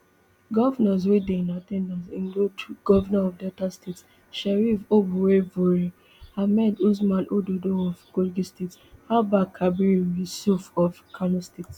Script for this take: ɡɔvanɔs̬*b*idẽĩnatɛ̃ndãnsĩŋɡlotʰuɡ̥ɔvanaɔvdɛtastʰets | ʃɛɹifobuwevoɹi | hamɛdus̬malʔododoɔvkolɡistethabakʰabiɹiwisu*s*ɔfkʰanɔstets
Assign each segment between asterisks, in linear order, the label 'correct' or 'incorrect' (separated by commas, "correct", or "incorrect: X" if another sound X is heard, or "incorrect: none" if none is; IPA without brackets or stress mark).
incorrect: w, incorrect: f